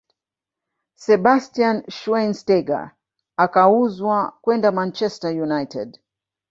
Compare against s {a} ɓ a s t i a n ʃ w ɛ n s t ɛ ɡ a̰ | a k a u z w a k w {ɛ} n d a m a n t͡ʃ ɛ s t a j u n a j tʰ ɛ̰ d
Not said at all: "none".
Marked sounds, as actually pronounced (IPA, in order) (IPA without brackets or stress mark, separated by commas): ɛ, ɛ